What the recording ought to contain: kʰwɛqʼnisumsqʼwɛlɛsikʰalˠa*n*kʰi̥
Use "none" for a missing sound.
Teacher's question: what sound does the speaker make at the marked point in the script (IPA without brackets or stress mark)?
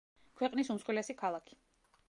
none